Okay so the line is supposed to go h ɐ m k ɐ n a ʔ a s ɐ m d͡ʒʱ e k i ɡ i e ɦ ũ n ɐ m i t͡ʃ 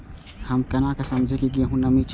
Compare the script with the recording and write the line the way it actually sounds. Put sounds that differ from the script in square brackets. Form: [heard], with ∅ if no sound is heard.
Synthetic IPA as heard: h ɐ m k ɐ n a [k] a s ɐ m d͡ʒʱ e k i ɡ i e ɦ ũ n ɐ m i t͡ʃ